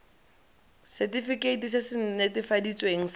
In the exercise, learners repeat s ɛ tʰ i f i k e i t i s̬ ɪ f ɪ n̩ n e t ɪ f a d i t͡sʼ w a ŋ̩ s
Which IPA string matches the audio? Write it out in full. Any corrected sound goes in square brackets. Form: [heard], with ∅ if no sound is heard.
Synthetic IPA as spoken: s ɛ [t] i f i k e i t i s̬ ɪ [s] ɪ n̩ n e t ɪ f a d i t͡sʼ w [e] ŋ̩ s